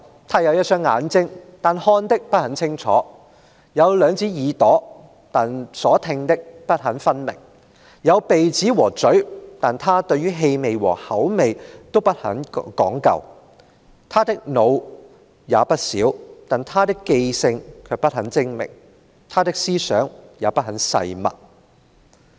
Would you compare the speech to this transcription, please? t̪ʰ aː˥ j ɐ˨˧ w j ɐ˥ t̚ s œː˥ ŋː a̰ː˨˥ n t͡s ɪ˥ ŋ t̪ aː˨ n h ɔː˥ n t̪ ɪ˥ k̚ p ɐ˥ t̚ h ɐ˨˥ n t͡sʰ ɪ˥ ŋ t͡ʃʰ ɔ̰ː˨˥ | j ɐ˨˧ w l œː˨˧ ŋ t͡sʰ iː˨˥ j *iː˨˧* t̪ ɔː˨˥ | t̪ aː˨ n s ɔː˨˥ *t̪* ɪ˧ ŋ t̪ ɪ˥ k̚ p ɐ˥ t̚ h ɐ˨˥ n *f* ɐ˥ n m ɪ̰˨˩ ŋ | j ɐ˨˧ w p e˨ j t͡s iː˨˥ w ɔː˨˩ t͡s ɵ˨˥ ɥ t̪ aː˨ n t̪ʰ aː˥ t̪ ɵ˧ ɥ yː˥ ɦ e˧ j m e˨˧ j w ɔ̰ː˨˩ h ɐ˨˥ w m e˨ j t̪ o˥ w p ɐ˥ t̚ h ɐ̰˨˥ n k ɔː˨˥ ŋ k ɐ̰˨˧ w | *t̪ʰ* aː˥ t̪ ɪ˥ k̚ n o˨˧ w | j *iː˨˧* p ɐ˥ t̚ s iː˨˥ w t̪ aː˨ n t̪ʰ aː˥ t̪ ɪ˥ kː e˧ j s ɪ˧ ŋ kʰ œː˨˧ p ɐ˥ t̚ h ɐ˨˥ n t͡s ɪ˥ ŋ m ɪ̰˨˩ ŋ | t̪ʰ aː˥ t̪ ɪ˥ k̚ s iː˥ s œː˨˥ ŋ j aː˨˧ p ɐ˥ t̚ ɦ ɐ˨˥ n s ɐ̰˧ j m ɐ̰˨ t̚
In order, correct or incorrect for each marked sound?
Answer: correct, incorrect: t̪ʰ, correct, correct, incorrect: aː˨˧

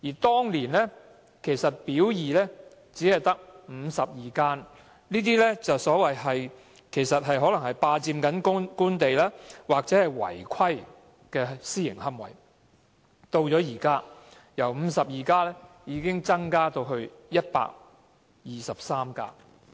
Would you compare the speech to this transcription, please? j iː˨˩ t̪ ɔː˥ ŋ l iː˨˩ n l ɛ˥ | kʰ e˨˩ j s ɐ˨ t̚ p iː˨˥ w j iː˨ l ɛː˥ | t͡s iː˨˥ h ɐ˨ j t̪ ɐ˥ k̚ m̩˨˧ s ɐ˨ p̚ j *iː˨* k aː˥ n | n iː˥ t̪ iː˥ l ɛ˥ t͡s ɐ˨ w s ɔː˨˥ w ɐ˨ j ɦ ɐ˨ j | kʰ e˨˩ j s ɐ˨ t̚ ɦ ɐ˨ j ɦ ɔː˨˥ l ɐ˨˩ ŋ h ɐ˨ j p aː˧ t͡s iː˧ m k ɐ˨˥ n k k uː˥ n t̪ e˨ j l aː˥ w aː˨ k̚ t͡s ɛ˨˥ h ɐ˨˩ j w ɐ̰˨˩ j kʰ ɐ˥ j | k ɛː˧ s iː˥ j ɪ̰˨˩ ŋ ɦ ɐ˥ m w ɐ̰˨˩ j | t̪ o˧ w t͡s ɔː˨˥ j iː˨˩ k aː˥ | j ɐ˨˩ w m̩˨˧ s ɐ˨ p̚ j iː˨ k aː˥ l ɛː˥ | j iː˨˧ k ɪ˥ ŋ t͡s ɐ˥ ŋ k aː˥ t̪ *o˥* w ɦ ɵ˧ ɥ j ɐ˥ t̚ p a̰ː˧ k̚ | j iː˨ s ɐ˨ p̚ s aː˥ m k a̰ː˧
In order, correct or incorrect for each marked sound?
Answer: correct, incorrect: o˧

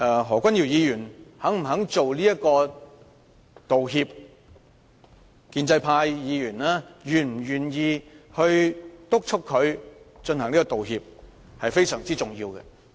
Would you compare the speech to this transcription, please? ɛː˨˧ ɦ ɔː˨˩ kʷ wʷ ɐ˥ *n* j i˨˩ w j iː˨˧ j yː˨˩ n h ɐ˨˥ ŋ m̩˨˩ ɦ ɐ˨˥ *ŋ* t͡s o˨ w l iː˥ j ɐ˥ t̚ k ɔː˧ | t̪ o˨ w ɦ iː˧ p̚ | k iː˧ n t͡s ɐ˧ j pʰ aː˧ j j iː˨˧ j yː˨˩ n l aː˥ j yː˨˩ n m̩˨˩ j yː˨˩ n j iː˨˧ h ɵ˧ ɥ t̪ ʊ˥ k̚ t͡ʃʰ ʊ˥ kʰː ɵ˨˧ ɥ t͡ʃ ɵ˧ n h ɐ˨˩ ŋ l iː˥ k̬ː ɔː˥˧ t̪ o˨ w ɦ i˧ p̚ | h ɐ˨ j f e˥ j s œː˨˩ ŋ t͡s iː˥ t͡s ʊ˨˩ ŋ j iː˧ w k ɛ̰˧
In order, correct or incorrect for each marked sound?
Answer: correct, correct

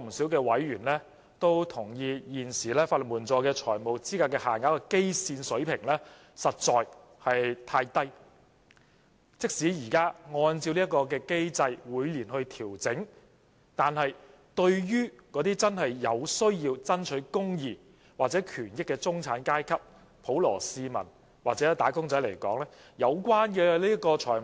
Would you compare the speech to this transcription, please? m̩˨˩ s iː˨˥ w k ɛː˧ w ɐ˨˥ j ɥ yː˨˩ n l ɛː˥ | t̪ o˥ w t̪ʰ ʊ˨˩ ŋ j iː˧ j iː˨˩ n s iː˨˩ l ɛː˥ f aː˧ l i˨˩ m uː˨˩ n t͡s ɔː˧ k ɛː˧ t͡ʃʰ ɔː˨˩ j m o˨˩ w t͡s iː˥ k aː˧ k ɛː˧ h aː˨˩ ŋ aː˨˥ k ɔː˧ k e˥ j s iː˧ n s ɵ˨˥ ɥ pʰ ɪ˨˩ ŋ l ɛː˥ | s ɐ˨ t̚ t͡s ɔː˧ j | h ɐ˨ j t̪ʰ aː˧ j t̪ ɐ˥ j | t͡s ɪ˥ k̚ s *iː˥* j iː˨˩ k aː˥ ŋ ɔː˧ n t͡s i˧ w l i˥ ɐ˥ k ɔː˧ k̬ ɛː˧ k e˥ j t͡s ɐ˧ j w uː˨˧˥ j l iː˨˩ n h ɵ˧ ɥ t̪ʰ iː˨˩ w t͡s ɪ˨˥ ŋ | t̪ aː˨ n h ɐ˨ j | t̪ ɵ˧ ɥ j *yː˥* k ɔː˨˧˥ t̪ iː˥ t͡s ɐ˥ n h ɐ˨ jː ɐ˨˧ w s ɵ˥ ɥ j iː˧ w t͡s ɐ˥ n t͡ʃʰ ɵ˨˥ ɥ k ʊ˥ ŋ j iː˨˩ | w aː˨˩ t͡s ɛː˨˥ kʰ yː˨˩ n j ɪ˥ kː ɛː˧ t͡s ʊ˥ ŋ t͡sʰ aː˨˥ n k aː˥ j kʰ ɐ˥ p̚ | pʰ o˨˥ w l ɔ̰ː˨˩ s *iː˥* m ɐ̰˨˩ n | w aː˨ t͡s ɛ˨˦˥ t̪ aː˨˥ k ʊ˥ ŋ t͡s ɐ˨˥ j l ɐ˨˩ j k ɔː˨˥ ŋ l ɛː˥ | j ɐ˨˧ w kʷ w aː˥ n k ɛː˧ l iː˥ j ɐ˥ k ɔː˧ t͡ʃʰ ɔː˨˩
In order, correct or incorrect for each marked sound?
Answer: incorrect: iː˨˥, correct, incorrect: iː˧

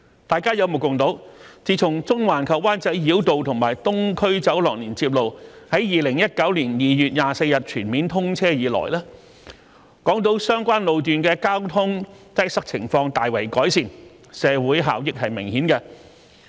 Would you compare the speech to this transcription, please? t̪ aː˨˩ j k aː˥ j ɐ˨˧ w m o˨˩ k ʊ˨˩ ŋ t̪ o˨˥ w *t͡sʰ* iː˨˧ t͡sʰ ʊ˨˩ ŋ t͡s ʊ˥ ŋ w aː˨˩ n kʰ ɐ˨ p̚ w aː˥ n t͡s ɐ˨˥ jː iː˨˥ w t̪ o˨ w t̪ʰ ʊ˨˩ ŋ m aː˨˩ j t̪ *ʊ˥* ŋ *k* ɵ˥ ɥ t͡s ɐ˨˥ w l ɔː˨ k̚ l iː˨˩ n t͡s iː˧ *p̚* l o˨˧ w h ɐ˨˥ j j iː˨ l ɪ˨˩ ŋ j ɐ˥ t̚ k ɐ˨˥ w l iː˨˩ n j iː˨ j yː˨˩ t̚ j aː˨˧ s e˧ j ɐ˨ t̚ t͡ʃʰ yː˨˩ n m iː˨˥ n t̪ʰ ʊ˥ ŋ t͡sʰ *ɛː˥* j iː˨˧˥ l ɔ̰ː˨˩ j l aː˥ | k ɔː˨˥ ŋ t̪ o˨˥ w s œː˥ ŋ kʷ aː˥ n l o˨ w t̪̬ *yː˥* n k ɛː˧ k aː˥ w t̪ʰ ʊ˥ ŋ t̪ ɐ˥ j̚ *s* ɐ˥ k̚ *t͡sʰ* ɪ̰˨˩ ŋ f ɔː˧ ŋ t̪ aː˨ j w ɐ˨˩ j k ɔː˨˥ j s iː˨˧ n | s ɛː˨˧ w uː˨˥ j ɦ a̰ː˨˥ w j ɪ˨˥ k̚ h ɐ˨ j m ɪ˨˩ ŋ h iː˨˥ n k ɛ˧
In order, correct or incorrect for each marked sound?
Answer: incorrect: t͡s, correct, incorrect: kʰ, correct, correct, incorrect: yː˨, correct, correct

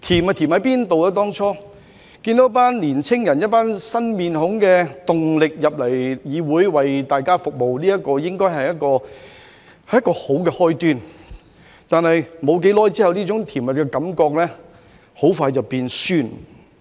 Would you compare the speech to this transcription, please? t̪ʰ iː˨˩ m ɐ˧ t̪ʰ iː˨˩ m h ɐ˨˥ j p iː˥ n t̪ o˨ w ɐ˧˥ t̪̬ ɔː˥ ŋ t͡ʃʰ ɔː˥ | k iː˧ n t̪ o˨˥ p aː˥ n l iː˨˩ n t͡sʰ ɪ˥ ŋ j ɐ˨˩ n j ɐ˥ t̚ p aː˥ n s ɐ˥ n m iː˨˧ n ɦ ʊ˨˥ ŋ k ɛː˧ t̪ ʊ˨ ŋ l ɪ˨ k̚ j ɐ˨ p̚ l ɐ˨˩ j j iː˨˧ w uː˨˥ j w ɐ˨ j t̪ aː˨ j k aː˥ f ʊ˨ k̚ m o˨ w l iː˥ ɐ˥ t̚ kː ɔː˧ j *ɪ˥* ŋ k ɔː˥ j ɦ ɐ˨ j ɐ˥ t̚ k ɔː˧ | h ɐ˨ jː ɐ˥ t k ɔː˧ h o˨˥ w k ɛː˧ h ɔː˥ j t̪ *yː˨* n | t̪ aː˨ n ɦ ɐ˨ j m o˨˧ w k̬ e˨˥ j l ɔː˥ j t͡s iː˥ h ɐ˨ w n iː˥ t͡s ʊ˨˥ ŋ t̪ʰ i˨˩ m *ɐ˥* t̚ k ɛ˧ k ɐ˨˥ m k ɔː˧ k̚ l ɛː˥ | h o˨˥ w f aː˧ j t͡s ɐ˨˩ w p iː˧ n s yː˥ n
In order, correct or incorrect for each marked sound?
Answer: correct, incorrect: yː˥, incorrect: ɐ˨

